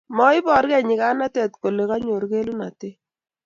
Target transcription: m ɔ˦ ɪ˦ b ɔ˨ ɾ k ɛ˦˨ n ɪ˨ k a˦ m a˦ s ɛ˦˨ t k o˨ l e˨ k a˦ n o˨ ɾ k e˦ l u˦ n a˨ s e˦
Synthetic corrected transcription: m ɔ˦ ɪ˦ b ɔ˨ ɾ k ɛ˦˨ ɲ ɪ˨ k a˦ n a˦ t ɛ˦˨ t k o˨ l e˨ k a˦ ɲ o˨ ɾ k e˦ l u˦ n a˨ t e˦